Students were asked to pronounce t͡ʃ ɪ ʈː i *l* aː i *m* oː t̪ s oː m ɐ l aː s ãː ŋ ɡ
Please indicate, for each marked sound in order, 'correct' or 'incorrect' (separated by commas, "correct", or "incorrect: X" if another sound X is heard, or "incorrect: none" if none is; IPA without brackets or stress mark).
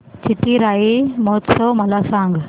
incorrect: ɾ, correct